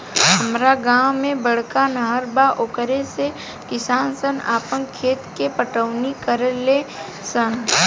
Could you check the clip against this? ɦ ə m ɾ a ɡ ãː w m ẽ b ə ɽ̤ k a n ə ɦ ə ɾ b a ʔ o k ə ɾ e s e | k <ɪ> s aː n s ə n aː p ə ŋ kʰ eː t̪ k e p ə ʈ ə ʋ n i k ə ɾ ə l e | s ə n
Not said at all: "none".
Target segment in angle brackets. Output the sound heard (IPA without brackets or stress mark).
ɪ